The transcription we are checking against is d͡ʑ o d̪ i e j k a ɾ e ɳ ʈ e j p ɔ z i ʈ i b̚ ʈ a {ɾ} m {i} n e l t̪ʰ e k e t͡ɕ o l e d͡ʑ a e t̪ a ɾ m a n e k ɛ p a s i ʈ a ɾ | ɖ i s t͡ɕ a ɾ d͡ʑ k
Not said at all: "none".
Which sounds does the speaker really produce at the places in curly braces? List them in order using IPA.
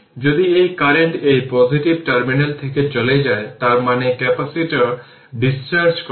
ɾ, i

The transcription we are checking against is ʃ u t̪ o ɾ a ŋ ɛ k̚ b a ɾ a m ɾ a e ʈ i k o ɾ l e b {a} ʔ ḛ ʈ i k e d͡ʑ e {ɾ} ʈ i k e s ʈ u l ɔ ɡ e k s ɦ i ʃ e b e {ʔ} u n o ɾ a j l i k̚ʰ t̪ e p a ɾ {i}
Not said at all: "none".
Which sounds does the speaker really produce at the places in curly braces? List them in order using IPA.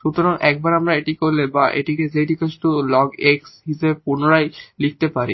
a, none, p, i

